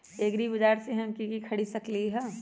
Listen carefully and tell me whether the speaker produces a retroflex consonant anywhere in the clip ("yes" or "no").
yes